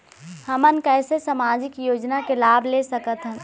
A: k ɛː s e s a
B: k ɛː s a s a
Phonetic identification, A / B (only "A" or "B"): A